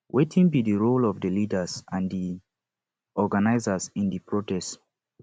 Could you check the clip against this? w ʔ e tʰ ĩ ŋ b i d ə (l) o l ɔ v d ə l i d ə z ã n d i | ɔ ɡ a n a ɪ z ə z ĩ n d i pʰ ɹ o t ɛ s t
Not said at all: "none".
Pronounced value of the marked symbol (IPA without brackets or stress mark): ɹ